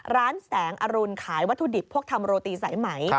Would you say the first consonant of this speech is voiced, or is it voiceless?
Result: voiced